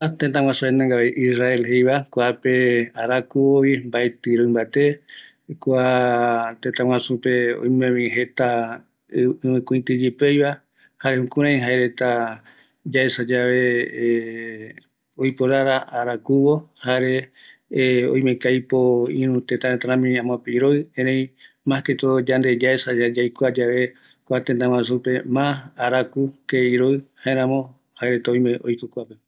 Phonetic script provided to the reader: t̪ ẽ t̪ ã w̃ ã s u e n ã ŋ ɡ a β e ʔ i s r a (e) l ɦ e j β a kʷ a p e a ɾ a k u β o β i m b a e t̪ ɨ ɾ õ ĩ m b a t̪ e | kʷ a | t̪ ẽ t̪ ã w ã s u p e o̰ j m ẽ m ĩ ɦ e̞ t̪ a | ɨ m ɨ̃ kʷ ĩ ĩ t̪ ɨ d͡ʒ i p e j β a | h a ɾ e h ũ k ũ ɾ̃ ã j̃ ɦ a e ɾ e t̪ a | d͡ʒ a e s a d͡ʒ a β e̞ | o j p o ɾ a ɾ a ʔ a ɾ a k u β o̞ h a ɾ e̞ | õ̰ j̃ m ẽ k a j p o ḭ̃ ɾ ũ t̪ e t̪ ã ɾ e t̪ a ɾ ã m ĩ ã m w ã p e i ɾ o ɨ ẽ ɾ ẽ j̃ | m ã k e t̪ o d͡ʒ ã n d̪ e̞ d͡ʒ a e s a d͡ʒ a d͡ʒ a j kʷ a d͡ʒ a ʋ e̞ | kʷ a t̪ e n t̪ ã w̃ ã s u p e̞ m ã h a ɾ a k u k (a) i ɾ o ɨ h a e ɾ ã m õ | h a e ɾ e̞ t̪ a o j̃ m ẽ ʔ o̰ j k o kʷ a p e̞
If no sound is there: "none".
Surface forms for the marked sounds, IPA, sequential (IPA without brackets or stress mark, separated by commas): e, e